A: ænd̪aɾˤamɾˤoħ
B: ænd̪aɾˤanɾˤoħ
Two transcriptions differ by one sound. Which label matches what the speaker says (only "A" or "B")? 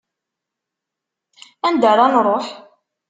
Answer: B